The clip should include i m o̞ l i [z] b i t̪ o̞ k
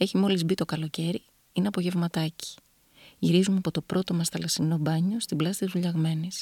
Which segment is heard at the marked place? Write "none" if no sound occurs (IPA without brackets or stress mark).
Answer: z